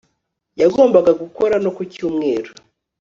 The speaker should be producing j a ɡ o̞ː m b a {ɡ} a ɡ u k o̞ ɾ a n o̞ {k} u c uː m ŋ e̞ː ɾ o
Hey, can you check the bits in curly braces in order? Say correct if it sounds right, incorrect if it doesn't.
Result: correct, correct

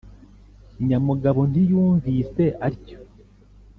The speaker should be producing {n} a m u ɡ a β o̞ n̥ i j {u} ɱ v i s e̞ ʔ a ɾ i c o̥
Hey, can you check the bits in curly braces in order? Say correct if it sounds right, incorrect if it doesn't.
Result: incorrect: ɲ, incorrect: uː

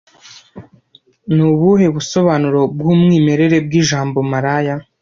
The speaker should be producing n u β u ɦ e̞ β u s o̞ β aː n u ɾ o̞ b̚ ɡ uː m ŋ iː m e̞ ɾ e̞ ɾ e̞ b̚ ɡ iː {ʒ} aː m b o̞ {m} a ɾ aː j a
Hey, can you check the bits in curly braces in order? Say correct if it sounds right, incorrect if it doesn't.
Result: correct, correct

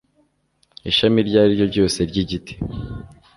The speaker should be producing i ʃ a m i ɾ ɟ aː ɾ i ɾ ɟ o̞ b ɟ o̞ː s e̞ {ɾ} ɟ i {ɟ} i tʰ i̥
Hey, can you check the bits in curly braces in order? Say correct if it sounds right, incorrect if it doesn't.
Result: correct, correct

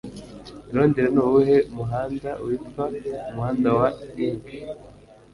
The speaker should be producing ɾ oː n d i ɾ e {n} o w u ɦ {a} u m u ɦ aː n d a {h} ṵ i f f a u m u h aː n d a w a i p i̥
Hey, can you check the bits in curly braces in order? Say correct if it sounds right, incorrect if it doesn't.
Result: correct, incorrect: e, incorrect: none

